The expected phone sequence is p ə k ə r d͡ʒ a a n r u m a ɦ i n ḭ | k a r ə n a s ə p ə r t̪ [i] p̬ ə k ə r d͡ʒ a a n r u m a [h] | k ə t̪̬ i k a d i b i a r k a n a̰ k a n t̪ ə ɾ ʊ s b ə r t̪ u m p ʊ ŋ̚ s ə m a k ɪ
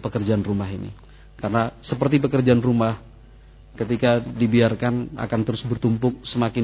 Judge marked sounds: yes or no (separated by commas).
yes, yes